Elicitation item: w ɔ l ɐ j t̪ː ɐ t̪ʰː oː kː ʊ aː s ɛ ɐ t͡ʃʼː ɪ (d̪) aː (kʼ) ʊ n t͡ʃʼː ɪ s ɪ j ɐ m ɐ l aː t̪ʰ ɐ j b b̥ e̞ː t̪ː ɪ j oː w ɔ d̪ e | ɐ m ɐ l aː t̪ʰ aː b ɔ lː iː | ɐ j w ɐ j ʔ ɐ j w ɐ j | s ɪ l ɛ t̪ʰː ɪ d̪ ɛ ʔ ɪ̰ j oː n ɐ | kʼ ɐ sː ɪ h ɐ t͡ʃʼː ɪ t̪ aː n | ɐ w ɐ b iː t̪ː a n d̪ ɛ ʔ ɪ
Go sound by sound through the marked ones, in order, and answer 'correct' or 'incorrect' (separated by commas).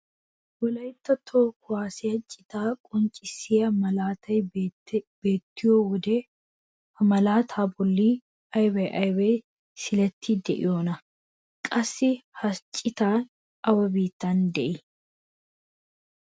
incorrect, correct